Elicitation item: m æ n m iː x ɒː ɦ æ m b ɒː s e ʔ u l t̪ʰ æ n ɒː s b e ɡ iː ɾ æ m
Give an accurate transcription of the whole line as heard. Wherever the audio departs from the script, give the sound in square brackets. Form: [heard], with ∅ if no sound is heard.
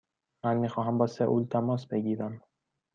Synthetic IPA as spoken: m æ n m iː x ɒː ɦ æ m b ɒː s e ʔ u l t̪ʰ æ [m] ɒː s b e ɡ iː ɾ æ m

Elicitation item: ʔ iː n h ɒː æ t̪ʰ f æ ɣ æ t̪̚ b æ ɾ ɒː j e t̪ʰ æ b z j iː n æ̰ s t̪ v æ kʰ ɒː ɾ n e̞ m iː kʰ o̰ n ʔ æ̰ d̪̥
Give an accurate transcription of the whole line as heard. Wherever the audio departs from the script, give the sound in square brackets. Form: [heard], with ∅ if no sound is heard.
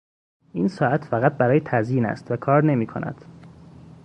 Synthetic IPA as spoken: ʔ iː n [s] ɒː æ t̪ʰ f æ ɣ æ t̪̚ b æ ɾ ɒː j e t̪ʰ æ [∅] z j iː n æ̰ s t̪ v æ kʰ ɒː ɾ n e̞ m iː kʰ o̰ n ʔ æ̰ d̪̥

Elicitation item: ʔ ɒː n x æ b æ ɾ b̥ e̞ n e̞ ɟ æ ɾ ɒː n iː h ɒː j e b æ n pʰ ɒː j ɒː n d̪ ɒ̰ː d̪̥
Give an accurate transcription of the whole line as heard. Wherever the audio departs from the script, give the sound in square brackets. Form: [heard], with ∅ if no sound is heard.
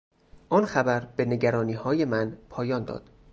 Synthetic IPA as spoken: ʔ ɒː n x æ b æ ɾ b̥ e̞ n e̞ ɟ æ ɾ ɒː n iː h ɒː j e [m] æ n pʰ ɒː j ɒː n d̪ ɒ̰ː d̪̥

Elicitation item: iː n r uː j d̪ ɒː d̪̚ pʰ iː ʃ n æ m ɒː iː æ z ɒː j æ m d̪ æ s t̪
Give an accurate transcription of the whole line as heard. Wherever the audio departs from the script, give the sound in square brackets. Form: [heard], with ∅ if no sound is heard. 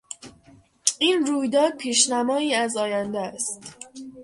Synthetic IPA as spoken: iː n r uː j d̪ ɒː d̪̚ pʰ iː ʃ n æ m ɒː iː æ z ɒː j æ [n] d̪ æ s t̪

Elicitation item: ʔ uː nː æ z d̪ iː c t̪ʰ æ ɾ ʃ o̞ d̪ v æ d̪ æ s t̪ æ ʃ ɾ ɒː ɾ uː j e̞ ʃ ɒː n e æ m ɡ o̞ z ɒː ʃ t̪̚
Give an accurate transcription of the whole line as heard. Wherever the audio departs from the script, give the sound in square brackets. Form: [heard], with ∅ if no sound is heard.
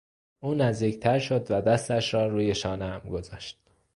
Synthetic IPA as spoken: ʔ uː [n] æ z d̪ iː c t̪ʰ æ ɾ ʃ o̞ d̪ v æ d̪ æ s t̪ æ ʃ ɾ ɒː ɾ uː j e̞ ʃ ɒː n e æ m ɡ o̞ z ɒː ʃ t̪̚

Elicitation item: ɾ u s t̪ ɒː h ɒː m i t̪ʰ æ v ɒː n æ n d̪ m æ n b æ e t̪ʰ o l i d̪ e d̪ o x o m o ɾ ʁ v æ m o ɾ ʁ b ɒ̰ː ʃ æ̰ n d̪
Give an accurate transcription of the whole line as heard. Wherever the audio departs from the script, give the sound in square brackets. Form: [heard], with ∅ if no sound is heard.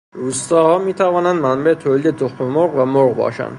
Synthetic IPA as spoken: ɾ u s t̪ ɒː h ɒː m i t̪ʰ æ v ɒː n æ n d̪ m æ n b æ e t̪ʰ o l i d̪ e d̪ o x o m o ɾ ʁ v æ m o ɾ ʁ b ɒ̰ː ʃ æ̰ n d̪

